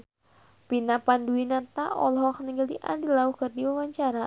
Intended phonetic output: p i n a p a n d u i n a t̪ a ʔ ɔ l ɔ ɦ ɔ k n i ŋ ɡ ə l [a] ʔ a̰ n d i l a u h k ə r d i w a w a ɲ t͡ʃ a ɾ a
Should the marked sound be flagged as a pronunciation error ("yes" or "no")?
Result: yes